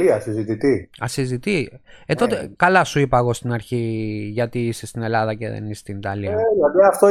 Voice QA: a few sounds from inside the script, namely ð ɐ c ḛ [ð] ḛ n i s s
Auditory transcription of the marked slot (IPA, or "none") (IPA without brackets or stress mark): ð